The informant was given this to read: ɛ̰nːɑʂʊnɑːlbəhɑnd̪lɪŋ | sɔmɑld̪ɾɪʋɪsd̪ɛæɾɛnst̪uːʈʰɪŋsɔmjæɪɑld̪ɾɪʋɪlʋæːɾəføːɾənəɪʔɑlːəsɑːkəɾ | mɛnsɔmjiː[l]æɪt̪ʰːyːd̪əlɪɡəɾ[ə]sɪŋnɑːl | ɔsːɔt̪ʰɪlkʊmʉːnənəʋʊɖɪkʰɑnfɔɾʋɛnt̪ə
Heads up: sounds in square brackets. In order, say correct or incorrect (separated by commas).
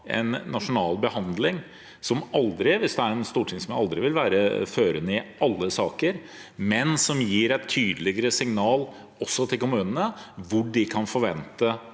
incorrect, correct